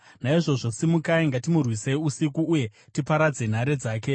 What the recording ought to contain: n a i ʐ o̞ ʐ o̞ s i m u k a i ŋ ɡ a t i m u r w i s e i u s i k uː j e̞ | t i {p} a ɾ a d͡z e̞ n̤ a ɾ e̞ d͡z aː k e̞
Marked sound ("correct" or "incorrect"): correct